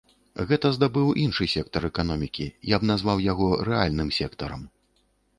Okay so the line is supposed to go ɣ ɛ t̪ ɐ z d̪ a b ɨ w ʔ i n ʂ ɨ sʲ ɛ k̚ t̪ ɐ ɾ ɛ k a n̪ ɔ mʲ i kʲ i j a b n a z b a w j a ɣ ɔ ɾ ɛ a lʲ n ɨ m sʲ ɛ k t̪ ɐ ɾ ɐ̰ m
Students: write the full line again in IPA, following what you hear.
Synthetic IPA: ɣ ɛ t̪ ɐ z d̪ a b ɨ w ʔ i n ʂ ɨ sʲ ɛ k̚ t̪ ɐ ɾ ɛ k a n̪ ɔ mʲ i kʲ i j a b n a z v a w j a ɣ ɔ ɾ ɛ a lʲ n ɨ m sʲ ɛ k t̪ ɐ ɾ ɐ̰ m